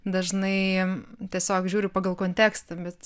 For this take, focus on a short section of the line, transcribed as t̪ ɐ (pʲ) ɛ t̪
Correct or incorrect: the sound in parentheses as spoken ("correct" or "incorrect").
incorrect